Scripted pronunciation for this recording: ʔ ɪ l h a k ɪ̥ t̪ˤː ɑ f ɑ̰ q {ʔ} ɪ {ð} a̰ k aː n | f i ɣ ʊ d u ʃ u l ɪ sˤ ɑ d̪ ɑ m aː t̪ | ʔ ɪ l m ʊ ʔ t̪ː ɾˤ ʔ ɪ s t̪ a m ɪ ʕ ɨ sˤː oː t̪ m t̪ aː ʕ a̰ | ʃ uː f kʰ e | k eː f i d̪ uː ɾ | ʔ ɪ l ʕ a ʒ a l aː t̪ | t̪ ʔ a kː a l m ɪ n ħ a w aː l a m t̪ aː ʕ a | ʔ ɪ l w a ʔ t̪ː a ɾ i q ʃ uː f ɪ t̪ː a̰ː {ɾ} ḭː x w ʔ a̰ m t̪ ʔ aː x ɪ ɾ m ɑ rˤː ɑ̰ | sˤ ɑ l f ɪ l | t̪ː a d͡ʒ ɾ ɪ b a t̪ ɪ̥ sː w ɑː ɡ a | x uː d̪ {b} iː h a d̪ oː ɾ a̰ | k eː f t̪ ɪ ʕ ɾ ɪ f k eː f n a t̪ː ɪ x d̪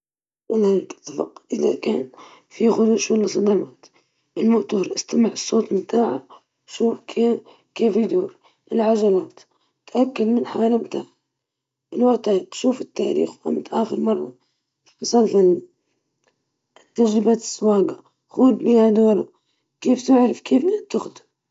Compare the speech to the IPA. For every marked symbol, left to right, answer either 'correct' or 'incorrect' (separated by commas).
correct, correct, correct, correct